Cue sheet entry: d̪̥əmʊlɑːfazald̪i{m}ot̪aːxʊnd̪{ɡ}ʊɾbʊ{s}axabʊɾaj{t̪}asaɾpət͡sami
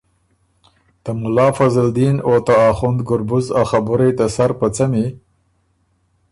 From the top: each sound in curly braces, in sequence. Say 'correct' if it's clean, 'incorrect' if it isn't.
incorrect, correct, incorrect, correct

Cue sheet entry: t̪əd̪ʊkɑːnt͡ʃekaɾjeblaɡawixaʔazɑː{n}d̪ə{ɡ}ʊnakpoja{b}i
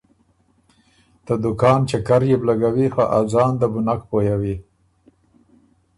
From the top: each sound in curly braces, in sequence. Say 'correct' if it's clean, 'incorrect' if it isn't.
correct, incorrect, incorrect

